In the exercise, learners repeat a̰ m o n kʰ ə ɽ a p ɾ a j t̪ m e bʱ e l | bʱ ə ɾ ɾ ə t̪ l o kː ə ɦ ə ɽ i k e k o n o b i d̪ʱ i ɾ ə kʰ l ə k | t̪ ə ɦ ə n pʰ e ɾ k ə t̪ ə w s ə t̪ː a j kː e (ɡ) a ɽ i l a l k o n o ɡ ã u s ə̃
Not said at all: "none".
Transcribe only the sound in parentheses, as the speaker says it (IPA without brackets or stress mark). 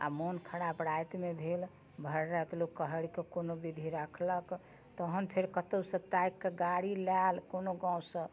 ɡ